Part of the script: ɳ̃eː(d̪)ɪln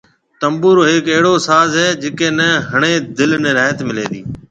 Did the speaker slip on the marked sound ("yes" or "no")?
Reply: no